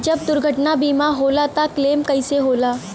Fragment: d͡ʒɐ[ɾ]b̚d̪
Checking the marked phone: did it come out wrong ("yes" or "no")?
yes